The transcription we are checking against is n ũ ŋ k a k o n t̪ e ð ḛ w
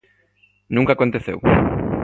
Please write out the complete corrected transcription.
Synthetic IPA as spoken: n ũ ŋ k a k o n t̪ e θ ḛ w